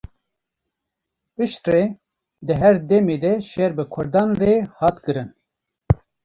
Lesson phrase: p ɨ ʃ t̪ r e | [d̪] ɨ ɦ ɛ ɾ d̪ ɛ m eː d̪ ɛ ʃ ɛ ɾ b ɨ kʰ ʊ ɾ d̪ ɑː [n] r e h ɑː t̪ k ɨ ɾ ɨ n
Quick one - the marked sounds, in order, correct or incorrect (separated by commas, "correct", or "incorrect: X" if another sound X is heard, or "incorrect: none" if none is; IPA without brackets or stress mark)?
correct, correct